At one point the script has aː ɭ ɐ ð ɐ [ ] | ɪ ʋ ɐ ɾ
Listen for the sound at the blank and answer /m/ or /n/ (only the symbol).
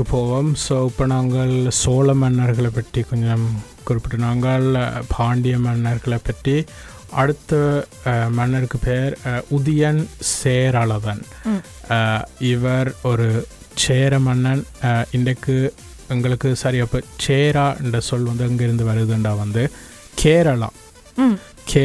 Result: n